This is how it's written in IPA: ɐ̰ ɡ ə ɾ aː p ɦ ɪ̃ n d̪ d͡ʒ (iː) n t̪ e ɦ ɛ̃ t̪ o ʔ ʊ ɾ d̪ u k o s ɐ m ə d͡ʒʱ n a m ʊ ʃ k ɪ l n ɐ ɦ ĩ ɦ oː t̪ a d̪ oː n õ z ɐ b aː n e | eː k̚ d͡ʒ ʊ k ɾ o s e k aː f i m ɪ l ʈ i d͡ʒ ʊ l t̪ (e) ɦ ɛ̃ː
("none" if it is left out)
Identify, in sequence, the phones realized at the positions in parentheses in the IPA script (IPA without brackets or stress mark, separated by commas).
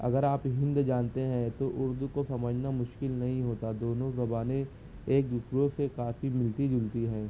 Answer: aː, i